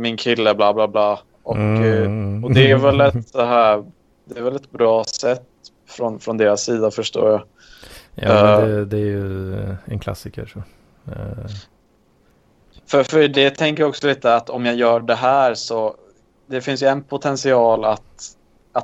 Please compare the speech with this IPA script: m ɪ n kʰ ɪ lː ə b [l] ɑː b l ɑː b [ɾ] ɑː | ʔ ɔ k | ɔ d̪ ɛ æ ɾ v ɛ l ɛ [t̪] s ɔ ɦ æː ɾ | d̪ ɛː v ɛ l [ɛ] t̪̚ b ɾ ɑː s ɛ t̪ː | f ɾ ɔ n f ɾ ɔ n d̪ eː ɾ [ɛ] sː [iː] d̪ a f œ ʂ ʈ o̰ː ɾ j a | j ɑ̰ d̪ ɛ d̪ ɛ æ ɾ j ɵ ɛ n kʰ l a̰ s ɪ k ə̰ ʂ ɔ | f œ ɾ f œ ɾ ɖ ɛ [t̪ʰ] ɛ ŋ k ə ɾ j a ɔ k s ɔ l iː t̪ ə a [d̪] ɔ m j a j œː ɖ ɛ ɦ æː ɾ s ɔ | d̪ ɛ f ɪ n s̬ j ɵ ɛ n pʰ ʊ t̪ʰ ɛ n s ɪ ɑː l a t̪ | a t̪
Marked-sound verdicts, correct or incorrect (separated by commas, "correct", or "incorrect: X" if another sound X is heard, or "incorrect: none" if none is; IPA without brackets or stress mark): correct, incorrect: l, correct, correct, incorrect: a, correct, correct, incorrect: t̪